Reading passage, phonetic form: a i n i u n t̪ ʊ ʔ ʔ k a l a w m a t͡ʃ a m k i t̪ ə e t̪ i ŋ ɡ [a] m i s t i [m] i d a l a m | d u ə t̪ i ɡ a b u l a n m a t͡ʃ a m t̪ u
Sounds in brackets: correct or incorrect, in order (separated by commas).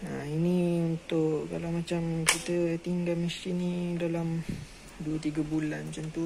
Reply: correct, incorrect